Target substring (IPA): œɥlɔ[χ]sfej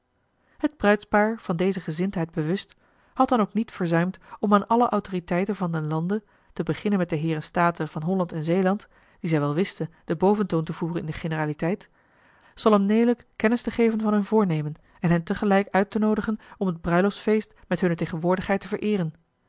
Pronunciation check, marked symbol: incorrect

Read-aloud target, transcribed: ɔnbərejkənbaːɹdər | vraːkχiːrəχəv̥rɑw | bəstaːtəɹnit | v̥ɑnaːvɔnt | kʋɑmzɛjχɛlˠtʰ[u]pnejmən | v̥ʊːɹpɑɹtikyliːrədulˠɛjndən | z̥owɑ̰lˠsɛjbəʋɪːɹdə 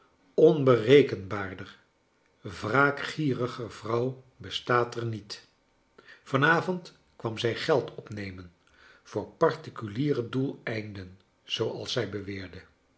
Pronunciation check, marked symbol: incorrect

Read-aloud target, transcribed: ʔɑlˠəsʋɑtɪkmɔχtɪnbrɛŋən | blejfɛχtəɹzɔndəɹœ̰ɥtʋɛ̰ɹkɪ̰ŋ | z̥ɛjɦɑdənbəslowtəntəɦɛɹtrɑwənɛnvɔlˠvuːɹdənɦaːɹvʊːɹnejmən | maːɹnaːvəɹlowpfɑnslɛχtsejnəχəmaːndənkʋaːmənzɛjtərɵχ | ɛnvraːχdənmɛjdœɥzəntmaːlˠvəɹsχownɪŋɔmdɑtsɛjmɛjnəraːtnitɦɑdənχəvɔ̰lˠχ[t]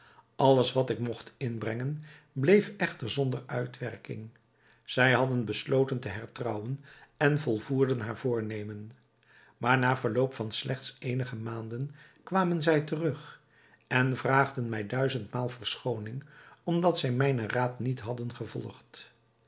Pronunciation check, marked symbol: correct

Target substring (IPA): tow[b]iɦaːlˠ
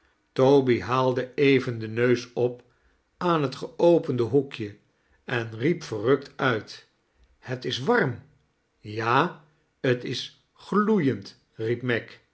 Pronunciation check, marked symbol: correct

